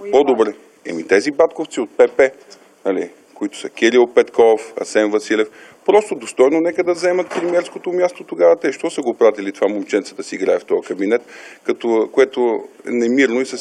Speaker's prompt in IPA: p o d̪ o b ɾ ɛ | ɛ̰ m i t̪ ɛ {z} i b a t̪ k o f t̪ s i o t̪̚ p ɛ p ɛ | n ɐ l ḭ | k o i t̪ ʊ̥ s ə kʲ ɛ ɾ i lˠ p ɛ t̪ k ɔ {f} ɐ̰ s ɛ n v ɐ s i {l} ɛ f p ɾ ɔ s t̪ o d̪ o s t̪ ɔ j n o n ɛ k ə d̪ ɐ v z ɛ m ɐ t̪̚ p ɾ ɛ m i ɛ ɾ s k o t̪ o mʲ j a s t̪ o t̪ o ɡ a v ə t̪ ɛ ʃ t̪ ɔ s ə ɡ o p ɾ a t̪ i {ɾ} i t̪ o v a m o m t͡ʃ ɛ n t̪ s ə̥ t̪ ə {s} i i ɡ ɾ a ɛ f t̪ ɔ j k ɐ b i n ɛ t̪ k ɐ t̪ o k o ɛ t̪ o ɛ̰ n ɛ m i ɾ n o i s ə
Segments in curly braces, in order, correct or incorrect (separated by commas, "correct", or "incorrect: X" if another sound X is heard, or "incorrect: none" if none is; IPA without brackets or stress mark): correct, correct, correct, incorrect: l, correct